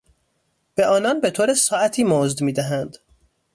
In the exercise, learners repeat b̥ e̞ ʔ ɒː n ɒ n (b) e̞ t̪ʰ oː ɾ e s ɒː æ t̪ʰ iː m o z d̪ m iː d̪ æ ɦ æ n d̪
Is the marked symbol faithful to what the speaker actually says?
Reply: yes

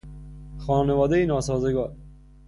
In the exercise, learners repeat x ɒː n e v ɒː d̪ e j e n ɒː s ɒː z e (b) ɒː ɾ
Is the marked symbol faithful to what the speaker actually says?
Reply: no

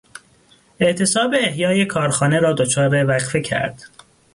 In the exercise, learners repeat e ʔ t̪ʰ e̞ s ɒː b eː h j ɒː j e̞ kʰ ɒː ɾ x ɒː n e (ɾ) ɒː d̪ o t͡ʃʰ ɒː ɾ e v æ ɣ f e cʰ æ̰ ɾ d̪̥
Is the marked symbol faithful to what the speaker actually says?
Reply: yes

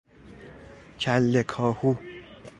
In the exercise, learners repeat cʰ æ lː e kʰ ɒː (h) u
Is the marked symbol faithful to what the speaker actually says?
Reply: yes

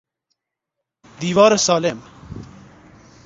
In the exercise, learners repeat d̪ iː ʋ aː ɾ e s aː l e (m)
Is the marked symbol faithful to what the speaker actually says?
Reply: yes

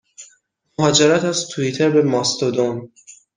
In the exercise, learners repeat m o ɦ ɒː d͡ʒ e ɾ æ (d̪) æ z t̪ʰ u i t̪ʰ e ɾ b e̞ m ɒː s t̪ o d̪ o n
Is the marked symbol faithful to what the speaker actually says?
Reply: no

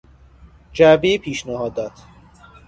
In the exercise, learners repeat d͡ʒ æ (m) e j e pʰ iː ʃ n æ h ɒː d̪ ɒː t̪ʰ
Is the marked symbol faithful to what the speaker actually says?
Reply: no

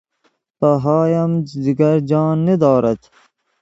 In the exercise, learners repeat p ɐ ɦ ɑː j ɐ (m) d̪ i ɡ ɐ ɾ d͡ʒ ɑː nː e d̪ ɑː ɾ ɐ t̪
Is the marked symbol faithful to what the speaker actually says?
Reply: yes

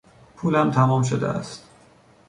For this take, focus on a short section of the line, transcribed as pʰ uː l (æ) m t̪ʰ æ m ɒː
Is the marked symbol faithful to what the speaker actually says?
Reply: yes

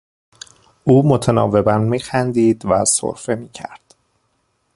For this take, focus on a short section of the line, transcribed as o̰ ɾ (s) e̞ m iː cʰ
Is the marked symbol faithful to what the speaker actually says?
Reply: no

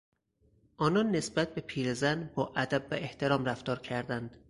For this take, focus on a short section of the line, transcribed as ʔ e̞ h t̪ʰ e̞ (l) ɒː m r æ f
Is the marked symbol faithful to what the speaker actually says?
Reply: no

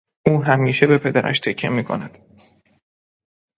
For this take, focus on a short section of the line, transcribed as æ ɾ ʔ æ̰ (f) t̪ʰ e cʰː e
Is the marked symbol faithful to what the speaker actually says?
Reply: no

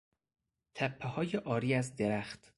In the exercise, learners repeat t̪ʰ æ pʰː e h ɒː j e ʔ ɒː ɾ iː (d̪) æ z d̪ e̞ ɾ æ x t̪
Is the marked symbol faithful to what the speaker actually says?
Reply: no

